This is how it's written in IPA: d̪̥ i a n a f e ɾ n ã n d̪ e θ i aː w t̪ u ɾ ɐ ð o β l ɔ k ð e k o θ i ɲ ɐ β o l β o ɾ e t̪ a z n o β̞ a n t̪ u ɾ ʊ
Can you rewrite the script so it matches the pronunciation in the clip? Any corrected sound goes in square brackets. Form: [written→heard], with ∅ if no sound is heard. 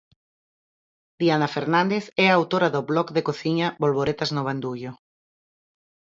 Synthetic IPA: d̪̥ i a n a f e ɾ n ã n d̪ e θ [i→ɛ] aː w t̪ [u→o] ɾ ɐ ð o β l ɔ k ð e k o θ i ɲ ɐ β o l β o ɾ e t̪ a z n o β̞ a n [t̪→d̪] u [ɾ→ʎ] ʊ